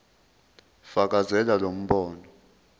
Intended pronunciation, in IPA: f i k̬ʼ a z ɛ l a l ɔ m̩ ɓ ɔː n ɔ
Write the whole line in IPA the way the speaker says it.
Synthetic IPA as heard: f a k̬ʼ a z ɛ l a l o m̩ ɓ ɔː n ɔ